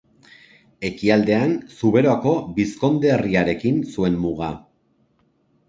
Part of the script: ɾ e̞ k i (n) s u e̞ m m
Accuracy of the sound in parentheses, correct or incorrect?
correct